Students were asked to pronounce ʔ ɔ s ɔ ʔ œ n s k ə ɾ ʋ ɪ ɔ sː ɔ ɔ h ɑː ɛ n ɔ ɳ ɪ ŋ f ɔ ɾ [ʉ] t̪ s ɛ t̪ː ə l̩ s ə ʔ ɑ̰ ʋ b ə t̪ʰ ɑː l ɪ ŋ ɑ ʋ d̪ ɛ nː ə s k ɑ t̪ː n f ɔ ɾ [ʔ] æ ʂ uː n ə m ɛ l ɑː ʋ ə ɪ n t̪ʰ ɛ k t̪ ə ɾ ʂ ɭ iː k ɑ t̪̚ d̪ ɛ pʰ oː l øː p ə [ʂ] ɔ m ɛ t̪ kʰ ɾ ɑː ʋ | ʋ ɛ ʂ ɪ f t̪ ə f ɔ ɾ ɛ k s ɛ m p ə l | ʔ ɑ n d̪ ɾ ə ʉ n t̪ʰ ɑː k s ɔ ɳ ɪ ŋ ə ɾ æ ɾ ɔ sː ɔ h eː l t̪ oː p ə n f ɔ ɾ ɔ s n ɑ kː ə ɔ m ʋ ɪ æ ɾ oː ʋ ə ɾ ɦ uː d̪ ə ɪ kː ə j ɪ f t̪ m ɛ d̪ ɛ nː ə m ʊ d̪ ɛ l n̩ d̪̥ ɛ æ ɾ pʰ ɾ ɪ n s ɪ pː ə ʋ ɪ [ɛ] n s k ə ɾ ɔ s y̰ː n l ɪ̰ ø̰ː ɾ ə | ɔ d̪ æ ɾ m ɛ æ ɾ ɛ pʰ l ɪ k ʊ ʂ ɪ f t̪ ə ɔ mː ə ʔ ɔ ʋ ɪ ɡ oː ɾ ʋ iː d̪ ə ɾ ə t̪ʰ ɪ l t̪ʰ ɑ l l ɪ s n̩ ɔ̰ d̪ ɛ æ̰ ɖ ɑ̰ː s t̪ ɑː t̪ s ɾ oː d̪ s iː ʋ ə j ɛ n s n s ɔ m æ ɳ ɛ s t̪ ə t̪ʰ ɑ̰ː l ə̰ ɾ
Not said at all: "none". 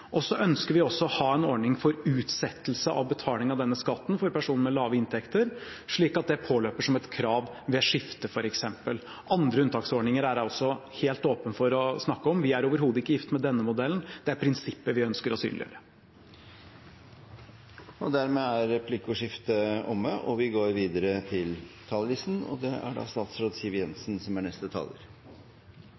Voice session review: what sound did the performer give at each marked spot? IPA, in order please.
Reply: ʉː, p, ʂ, œ

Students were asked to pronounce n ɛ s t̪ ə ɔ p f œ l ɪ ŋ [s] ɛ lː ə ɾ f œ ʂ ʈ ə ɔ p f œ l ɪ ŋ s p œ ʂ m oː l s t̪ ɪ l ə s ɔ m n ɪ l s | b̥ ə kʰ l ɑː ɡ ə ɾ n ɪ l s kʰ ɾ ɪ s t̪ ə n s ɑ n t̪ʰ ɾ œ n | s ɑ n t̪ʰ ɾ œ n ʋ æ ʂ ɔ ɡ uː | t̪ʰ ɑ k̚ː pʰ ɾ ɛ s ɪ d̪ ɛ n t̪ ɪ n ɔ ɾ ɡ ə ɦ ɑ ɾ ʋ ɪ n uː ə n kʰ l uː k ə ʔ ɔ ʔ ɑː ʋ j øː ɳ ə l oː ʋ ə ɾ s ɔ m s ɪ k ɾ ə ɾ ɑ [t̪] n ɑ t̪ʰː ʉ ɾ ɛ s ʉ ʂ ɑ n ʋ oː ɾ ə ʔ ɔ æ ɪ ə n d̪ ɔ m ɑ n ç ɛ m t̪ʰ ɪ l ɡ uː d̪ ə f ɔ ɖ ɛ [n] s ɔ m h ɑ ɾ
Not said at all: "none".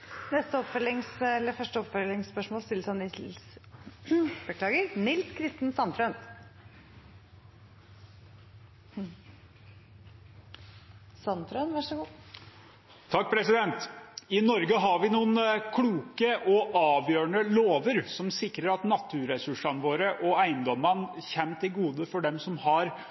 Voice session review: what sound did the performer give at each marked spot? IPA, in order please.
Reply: s, t̪, m

